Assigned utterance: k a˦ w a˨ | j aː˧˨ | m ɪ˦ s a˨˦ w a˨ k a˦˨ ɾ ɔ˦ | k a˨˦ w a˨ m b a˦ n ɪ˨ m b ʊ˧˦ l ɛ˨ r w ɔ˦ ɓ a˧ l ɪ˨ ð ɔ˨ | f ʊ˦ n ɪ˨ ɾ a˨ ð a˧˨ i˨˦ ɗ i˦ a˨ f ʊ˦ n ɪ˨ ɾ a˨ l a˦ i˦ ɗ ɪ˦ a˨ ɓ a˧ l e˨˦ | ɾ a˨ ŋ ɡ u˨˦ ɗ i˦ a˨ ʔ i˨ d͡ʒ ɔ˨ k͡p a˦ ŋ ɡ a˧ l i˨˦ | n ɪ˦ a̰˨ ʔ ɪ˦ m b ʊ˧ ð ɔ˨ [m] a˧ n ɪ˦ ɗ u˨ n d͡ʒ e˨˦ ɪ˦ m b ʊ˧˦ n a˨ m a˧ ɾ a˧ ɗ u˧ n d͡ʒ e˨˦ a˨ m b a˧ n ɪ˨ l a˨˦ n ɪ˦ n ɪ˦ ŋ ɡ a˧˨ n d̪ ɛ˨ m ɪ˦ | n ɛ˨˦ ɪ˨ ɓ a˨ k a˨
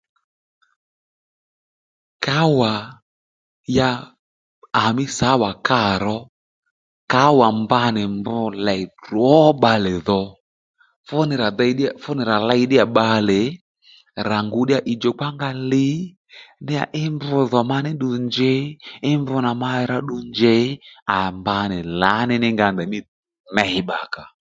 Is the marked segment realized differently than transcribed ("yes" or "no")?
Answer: no